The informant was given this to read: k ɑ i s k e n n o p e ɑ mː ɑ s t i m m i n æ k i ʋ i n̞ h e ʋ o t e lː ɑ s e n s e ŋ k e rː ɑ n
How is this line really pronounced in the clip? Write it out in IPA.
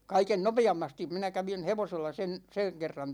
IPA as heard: k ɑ i k e n n o p e ɑ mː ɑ s t i m m i n æ k æ ʋ i n̞ h e ʋ o s e lː ɑ s e n s e ŋ k e rː ɑ n